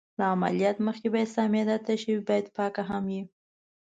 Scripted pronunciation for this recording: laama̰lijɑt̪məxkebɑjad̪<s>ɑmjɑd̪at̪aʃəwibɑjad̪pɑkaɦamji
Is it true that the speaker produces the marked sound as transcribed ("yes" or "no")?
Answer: yes